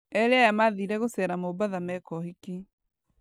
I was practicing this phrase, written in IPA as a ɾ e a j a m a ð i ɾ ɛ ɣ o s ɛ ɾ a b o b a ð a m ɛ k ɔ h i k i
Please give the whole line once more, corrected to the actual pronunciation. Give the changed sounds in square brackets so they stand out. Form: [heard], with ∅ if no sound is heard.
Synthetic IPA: [ɛ] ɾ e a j a m a ð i ɾ ɛ ɣ o s ɛ ɾ a [m] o b a ð a m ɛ k ɔ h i k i

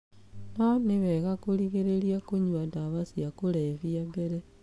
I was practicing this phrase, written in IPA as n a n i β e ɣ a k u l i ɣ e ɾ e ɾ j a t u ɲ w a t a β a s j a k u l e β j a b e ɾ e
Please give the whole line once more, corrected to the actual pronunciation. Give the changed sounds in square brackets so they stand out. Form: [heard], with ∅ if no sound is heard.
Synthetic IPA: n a n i β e ɣ a k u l i ɣ e ɾ e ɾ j a [k] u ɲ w a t a β a s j a k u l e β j a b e ɾ e

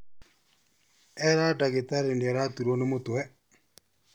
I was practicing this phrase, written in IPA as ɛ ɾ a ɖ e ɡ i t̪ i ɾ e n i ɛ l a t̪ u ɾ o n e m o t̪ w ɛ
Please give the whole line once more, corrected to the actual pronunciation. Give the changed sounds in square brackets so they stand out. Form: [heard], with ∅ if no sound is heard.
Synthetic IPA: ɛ ɾ a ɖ [a] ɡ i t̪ [a] ɾ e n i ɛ [ɾ] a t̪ u ɾ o n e m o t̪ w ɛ

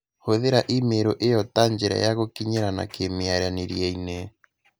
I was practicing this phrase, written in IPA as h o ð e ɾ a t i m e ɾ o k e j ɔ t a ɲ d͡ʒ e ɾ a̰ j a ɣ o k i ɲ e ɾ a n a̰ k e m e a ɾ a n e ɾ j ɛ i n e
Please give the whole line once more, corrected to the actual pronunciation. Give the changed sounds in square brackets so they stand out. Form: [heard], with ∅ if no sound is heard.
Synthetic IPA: h o ð e ɾ a [ʔ] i m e ɾ o [ʔ] e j ɔ t a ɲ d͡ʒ e ɾ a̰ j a ɣ o k i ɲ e ɾ a n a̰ k e m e a ɾ a n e ɾ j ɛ i n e

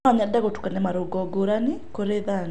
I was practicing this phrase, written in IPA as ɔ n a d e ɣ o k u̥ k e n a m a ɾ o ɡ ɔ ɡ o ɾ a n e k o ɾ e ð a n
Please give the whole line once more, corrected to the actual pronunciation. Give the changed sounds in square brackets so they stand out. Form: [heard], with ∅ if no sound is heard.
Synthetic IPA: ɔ [ɲ] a d [a] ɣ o [t] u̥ k [a] n [ɛ] m a ɾ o ɡ ɔ ɡ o ɾ a n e k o ɾ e ð a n

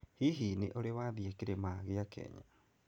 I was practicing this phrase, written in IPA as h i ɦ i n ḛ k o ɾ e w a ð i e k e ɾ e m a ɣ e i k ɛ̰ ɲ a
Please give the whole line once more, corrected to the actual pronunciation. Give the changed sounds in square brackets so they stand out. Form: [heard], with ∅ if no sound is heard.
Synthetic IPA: h i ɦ i n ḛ [ʔ] o ɾ e w a ð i e k e ɾ e m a ɣ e [a] k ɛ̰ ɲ a

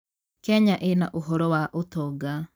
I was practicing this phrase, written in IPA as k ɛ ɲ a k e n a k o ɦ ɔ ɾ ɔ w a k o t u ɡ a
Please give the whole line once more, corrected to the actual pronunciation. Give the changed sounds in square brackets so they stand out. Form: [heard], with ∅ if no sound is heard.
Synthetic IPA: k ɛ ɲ a [ʔ] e n a [ʔ] o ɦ ɔ ɾ ɔ w a [ʔ] o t [ɔ] ɡ a

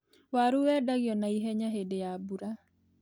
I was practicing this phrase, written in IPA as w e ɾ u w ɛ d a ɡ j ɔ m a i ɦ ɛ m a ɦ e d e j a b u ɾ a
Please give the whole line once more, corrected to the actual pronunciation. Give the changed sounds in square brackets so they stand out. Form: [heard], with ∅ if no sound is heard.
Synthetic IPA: w [a] ɾ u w ɛ d a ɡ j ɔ [n] a i ɦ ɛ [ɲ] a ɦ e d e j a b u ɾ a

